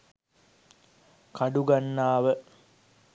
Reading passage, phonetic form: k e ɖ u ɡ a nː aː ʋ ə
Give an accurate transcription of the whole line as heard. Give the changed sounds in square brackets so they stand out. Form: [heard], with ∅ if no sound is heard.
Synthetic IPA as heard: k [a] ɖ u ɡ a nː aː ʋ ə